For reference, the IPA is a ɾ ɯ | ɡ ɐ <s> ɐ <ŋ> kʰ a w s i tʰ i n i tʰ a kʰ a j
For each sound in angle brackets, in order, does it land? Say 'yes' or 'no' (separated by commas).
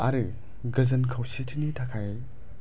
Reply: no, no